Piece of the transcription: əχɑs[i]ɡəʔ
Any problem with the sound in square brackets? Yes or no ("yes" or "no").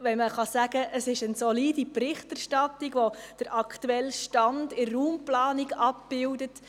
yes